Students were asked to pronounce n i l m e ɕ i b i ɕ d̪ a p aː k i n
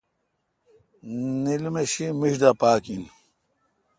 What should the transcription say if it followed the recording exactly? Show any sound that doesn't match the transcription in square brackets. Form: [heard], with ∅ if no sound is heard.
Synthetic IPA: n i l m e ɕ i [m] i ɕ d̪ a p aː k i n